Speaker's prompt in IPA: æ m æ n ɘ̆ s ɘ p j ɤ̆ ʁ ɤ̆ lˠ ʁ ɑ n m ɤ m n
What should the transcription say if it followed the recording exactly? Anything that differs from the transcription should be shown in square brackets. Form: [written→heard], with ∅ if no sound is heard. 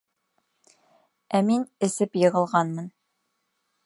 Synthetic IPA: æ m [æ→i] n ɘ̆ s ɘ p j ɤ̆ ʁ ɤ̆ lˠ ʁ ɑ n m ɤ [m→∅] n